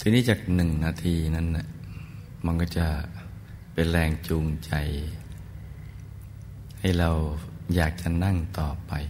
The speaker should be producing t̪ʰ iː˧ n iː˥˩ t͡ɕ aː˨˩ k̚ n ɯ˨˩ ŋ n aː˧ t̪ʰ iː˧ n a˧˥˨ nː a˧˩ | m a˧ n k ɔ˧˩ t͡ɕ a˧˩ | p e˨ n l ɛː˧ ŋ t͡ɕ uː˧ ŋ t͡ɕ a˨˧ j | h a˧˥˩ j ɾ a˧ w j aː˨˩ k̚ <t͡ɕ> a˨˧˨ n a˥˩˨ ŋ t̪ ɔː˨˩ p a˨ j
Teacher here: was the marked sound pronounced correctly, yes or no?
yes